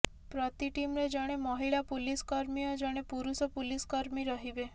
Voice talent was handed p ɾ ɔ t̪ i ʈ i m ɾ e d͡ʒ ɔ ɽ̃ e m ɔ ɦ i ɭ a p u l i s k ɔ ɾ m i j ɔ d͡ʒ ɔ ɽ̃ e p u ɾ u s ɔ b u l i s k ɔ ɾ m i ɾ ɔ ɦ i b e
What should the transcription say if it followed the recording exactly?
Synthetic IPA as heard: p ɾ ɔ t̪ i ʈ i m ɾ e d͡ʒ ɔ ɽ̃ e m ɔ ɦ i ɭ a p u l i s k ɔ ɾ m i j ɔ d͡ʒ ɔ ɽ̃ e p u ɾ u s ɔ p u l i s k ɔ ɾ m i ɾ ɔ ɦ i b e